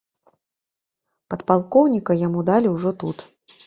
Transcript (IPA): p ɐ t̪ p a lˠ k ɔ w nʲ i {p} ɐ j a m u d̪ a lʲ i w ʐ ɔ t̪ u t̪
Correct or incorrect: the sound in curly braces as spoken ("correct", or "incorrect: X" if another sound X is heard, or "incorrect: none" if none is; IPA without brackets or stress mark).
incorrect: k